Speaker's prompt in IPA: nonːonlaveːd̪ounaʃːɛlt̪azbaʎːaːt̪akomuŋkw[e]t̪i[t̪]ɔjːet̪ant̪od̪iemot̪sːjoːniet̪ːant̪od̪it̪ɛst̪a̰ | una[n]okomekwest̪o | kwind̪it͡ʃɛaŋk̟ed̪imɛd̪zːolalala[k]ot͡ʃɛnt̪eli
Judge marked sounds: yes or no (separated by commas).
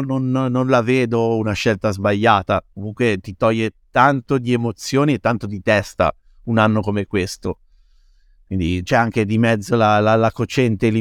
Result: yes, yes, no, yes